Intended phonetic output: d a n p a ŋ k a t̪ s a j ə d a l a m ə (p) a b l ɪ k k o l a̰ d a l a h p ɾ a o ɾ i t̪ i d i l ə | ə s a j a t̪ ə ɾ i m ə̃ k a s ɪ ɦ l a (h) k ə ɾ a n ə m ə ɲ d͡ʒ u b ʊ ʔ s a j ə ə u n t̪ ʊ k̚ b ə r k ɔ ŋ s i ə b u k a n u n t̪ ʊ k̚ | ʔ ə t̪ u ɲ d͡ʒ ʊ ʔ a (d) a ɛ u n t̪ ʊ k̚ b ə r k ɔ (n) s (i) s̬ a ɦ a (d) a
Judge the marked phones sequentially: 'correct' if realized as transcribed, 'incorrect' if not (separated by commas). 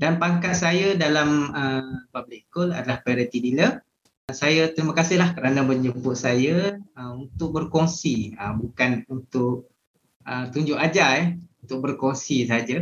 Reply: correct, correct, incorrect, incorrect, correct, incorrect